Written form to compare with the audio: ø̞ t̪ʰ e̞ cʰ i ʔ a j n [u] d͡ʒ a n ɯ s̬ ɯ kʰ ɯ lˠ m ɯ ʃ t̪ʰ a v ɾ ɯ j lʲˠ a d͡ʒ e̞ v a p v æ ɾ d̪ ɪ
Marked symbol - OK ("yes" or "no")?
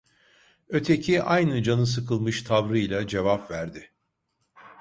no